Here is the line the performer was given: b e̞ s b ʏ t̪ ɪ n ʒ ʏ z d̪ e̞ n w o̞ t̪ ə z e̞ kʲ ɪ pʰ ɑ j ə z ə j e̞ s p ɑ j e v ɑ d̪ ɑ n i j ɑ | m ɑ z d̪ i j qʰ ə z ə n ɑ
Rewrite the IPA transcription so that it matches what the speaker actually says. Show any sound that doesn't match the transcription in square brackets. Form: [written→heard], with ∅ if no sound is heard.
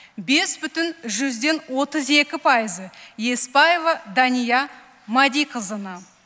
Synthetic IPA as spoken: b e̞ s b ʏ t̪ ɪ n ʒ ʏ z d̪ e̞ n w o̞ t̪ ə z e̞ kʲ ɪ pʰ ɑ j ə z ə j e̞ s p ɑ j e v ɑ d̪ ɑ n i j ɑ | m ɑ [z→∅] d̪ i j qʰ ə z ə n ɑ